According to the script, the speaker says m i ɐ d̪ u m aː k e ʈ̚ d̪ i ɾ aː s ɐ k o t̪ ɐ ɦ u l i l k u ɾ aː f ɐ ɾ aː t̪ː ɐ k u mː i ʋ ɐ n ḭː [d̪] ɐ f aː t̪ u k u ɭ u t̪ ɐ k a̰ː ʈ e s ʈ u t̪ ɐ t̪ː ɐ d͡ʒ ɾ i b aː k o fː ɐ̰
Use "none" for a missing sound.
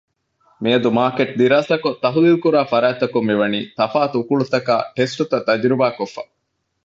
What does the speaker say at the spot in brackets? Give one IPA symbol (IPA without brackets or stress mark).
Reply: t̪